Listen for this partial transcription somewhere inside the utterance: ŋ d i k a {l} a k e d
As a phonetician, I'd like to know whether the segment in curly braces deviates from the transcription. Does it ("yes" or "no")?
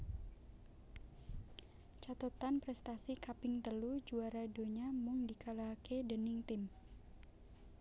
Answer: no